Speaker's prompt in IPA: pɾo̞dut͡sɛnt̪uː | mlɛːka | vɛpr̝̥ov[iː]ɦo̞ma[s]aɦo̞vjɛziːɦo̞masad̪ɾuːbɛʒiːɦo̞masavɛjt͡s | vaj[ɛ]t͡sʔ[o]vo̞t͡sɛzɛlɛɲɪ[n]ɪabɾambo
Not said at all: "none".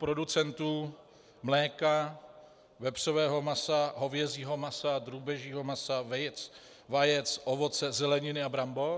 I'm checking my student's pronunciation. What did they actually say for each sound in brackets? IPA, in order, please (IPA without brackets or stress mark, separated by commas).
ɛː, s, ɛ, o, n